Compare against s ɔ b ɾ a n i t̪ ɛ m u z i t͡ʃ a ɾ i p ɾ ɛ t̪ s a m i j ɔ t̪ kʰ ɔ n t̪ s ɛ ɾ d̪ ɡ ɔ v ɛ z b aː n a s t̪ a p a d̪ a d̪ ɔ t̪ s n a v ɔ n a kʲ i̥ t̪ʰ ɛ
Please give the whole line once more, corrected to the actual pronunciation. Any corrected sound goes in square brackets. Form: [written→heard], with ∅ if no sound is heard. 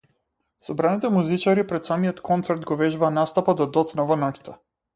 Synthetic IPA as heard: s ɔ b ɾ a n i t̪ ɛ m u z i t͡ʃ a ɾ i p ɾ ɛ t̪ s a m i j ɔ t̪ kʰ ɔ n t̪ s ɛ ɾ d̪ ɡ ɔ v ɛ [z→ʒ] b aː n a s t̪ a p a d̪ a d̪ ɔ t̪ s n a v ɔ n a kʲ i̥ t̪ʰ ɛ